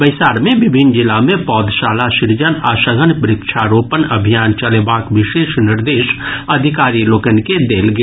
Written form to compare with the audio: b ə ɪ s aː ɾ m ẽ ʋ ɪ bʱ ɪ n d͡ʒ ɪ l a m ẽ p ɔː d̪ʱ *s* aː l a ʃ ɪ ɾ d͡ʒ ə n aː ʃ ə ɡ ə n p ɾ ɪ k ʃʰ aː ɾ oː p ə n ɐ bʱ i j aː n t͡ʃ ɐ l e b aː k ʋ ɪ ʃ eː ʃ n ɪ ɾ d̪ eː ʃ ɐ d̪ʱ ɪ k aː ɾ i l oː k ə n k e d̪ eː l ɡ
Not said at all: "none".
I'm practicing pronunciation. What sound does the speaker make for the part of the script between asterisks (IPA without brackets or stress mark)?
ʃ